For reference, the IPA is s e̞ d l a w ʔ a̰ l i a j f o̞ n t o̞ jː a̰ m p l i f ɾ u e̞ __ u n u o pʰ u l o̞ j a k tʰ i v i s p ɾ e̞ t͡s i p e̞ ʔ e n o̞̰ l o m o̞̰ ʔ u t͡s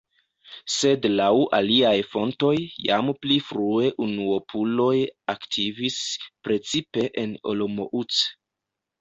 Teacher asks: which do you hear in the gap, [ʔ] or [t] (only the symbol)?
ʔ